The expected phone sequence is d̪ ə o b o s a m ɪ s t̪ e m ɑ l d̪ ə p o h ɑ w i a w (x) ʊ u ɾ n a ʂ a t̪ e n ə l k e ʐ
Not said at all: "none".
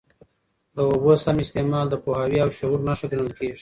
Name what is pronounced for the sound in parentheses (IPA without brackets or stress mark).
ʃ